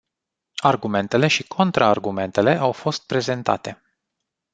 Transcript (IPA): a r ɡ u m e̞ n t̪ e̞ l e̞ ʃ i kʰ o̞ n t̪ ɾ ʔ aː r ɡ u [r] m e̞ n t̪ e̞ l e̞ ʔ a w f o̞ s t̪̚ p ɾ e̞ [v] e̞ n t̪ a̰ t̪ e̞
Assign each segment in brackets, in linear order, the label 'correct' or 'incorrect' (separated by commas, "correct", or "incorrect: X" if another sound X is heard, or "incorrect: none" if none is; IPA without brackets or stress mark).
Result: incorrect: none, incorrect: z